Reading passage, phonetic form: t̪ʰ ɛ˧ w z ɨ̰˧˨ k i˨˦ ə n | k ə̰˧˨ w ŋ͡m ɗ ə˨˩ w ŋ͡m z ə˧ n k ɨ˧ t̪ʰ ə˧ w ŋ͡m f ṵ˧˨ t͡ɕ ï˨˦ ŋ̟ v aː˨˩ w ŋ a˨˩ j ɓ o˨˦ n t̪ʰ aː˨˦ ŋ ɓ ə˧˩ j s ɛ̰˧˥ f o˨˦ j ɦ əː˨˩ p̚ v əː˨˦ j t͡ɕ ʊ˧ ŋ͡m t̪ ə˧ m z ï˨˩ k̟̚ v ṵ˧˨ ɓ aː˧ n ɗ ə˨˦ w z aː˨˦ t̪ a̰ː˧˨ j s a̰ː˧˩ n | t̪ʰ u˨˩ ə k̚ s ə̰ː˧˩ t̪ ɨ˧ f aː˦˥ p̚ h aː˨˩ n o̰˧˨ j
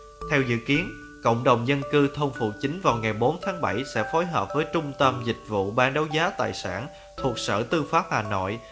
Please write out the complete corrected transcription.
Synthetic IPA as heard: t̪ʰ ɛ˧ w z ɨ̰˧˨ k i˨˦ ə n | k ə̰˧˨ w ŋ͡m ɗ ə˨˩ w ŋ͡m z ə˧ n k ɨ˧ t̪ʰ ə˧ w ŋ͡m f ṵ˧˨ t͡ɕ ï˨˦ ŋ̟ v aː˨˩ w ŋ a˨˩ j ɓ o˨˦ n t̪ʰ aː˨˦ ŋ ɓ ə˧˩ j s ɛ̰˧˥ f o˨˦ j ɦ əː˨˩ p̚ v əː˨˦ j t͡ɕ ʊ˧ ŋ͡m t̪ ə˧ m z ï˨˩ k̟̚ v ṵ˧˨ ɓ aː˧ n ɗ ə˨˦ w z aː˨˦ t̪ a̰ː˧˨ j s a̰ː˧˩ n | t̪ʰ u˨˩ ə k̚ s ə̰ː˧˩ t̪ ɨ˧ f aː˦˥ p̚ h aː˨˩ n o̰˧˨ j